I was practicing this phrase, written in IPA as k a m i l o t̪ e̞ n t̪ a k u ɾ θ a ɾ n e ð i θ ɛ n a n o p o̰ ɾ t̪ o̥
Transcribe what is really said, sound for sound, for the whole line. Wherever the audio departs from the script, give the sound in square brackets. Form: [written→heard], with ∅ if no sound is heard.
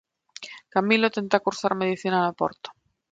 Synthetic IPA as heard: k a m i l o t̪ e̞ n t̪ a k u ɾ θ a ɾ [n→m] e ð i θ [ɛ→i] n a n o p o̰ ɾ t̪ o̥